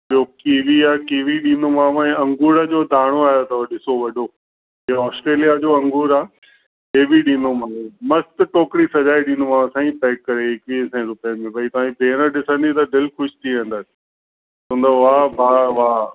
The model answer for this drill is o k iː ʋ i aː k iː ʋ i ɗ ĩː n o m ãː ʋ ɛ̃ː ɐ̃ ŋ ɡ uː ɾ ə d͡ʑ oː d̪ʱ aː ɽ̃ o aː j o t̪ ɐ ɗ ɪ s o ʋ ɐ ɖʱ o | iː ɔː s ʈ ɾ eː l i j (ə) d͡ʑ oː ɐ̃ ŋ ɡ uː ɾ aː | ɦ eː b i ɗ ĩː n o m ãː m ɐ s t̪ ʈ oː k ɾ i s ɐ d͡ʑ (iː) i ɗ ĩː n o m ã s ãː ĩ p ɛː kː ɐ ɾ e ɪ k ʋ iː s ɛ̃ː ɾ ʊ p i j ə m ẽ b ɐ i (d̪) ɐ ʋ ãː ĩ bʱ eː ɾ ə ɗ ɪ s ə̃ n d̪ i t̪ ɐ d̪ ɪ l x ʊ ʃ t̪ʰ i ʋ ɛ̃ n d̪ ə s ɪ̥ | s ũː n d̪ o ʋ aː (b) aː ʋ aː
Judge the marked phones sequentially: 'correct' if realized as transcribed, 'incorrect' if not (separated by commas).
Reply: incorrect, incorrect, incorrect, correct